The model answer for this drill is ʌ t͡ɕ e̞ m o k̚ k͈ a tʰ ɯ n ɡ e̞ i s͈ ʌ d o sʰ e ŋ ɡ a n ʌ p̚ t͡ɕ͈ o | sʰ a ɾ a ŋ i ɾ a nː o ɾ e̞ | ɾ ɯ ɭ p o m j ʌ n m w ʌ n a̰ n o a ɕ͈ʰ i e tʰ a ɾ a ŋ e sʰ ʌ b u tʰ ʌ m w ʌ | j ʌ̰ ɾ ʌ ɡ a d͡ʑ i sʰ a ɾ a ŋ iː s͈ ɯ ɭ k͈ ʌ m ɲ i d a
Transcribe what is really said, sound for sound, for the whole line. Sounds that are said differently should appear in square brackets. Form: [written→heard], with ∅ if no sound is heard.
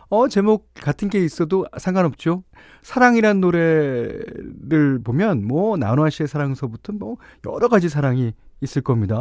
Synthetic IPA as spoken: ʌ t͡ɕ e̞ m o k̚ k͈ a tʰ ɯ n ɡ e̞ i s͈ ʌ d o sʰ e ŋ ɡ a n ʌ p̚ t͡ɕ͈ o | sʰ a ɾ a ŋ i ɾ a nː o ɾ e̞ | ɾ ɯ ɭ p o m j ʌ n m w ʌ n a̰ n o a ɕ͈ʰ i e [tʰ→sʰ] a ɾ a ŋ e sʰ ʌ b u tʰ ʌ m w ʌ | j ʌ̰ ɾ ʌ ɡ a d͡ʑ i sʰ a ɾ a ŋ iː s͈ ɯ ɭ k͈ ʌ m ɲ i d a